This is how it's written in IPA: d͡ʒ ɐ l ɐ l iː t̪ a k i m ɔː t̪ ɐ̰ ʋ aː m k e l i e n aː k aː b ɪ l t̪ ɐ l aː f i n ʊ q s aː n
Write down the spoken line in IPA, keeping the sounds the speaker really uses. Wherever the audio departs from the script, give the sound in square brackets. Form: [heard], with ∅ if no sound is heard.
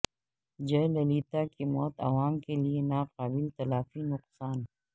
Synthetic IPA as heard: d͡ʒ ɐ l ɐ l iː t̪ a k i m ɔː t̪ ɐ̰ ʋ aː m k e l i e n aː [q] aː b ɪ l t̪ ɐ l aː f i n ʊ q s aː n

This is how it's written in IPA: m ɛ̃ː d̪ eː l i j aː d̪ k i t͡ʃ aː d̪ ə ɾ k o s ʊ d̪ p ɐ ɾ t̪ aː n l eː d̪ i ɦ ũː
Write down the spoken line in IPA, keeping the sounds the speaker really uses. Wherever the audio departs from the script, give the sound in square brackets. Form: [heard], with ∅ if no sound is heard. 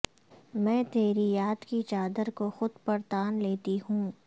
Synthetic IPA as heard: m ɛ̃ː [t̪] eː [ɾ] i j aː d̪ k i t͡ʃ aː d̪ ə ɾ k o [x] ʊ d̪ p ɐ ɾ t̪ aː n l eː [t̪] i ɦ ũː

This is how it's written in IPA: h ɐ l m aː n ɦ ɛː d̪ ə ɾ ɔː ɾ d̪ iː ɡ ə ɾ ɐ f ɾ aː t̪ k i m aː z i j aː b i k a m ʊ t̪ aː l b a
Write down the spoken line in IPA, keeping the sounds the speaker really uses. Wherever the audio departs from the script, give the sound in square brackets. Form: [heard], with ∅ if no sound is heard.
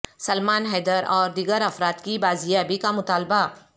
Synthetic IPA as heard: [s] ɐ l m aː n ɦ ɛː d̪ ə ɾ ɔː ɾ d̪ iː ɡ ə ɾ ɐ f ɾ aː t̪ k i [b] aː z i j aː b i k a m ʊ t̪ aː l b a

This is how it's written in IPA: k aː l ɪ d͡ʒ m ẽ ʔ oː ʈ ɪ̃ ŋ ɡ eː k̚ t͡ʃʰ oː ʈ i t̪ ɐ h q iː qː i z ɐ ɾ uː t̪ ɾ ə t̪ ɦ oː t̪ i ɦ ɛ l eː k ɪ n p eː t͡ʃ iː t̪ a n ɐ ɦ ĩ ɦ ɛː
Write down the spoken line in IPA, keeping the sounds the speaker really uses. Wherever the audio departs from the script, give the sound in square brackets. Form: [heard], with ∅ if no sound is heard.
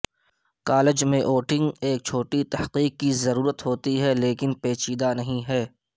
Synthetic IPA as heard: k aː l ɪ d͡ʒ m ẽ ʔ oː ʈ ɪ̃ ŋ ɡ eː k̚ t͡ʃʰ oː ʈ i t̪ ɐ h q iː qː i z ɐ ɾ uː [∅] ɾ ə t̪ ɦ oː t̪ i ɦ ɛ l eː k ɪ n p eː t͡ʃ iː [d̪] a n ɐ ɦ ĩ ɦ ɛː

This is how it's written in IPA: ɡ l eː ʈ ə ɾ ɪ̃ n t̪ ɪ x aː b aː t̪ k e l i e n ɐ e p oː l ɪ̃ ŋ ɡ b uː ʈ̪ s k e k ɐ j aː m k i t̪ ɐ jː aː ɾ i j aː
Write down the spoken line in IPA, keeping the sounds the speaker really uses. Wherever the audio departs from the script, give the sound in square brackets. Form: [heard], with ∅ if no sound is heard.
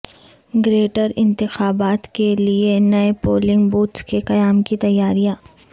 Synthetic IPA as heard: ɡ [ɾ] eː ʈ ə ɾ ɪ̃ n t̪ ɪ x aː b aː t̪ k e l i e n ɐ e p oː l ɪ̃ ŋ ɡ b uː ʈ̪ s k e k ɐ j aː m k i t̪ ɐ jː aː ɾ i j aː

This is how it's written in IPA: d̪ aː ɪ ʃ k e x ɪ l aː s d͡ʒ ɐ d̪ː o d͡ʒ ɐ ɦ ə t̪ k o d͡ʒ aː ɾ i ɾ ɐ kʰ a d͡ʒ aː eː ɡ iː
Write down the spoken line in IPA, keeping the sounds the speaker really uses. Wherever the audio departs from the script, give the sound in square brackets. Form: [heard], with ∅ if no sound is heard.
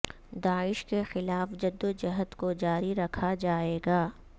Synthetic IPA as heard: d̪ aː ɪ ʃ k e x ɪ l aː [f] d͡ʒ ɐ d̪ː o d͡ʒ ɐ ɦ ə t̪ k o d͡ʒ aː ɾ i ɾ ɐ kʰ a d͡ʒ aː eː ɡ [aː]

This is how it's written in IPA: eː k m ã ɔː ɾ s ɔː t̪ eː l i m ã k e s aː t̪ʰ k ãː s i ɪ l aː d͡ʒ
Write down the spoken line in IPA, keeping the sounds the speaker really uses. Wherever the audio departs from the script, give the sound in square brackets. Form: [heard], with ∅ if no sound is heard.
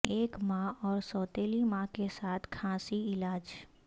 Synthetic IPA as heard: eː k m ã ɔː ɾ s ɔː t̪ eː l i m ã k e s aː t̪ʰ [kʰ] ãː s i ɪ l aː d͡ʒ

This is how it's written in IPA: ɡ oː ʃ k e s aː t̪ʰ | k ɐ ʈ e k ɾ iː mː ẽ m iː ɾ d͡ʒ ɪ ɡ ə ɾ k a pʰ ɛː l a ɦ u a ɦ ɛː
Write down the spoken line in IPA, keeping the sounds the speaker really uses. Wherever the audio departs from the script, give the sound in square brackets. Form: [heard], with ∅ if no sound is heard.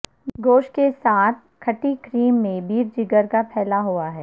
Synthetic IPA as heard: ɡ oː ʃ k e s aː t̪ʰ | [kʰ] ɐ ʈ [i] k ɾ iː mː ẽ [b] iː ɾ d͡ʒ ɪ ɡ ə ɾ k a pʰ ɛː l a ɦ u a ɦ ɛː

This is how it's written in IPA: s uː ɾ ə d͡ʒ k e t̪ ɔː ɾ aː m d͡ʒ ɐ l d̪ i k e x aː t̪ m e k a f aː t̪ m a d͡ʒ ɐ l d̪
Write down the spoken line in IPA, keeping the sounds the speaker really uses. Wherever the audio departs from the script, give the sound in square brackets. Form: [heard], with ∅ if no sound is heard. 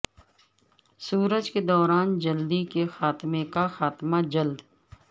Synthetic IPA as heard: s uː ɾ ə d͡ʒ k e [d̪] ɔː ɾ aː [n] d͡ʒ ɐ l d̪ i k e x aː t̪ m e k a [x] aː t̪ m a d͡ʒ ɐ l d̪

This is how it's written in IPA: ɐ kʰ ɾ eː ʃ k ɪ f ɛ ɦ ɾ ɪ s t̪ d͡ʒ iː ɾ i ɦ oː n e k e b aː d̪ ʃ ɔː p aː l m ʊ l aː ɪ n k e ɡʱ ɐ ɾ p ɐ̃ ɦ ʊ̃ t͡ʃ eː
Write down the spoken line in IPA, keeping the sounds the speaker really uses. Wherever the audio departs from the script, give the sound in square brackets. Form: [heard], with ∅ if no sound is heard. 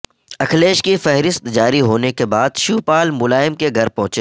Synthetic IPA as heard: ɐ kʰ [l] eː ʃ k [i] f ɛ ɦ ɾ ɪ s t̪ d͡ʒ [aː] ɾ i ɦ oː n e k e b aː d̪ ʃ [uː] p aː l m ʊ l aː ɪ [m] k e ɡʱ ɐ ɾ p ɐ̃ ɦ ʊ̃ t͡ʃ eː

